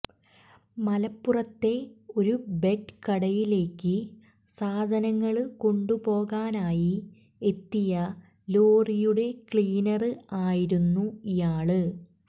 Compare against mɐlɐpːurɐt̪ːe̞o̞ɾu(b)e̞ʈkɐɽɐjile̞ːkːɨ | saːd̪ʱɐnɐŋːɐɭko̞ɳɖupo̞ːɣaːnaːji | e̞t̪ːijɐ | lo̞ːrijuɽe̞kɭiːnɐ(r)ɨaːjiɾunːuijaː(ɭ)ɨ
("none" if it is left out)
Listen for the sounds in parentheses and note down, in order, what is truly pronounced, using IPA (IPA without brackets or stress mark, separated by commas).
b, r, ɭ